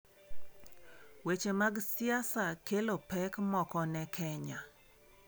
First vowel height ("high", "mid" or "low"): mid